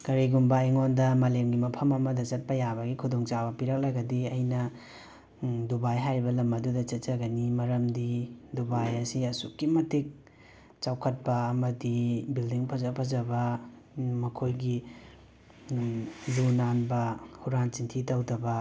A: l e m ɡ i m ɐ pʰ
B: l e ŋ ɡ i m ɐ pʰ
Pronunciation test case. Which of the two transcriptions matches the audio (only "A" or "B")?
A